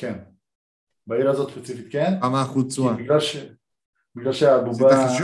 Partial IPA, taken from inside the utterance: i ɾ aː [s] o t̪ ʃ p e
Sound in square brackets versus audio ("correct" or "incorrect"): incorrect